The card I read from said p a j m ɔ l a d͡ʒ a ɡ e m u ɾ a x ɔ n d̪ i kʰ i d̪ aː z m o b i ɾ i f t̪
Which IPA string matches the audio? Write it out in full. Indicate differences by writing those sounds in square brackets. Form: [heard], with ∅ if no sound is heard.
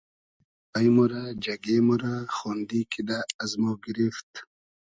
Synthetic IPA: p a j m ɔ [ɾ] a d͡ʒ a ɡ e m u ɾ a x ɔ n d̪ i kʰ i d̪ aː z m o [ɡ] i ɾ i f t̪